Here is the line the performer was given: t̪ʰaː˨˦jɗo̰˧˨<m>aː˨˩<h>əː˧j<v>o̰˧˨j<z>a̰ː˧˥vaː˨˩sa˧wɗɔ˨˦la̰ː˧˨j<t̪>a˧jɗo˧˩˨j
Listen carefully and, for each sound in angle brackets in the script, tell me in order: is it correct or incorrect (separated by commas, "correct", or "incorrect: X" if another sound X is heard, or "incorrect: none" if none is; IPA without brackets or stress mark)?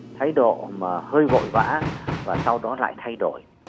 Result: correct, correct, correct, incorrect: v, incorrect: t̪ʰ